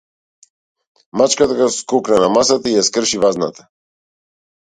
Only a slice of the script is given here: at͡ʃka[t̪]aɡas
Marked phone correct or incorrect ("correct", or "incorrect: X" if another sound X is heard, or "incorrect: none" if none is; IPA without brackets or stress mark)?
correct